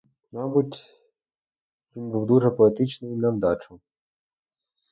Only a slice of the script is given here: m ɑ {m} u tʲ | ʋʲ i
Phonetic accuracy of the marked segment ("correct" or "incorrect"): incorrect